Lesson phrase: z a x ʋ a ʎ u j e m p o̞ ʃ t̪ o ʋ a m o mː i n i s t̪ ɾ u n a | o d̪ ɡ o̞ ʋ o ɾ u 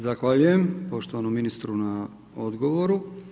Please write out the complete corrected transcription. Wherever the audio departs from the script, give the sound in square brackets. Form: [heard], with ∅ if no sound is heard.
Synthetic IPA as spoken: z a x ʋ a ʎ u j e m p o̞ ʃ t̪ o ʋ a [n] o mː i n i s t̪ ɾ u n a | o d̪ ɡ o̞ ʋ o ɾ u